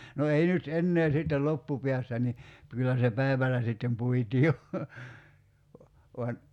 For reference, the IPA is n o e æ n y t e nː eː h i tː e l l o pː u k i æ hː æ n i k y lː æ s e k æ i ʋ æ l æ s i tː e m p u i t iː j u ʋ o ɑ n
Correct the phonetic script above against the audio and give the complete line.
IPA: n o e i n y t e nː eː s i tː e l l o pː u p i æ sː æ n i k y lː æ s e p æ i ʋ æ l æ s i tː e m p u i t iː j o ʋ o ɑ n